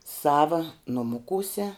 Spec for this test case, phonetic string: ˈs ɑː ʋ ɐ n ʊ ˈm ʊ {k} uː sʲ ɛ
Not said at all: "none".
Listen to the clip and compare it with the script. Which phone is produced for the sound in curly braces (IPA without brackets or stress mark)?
k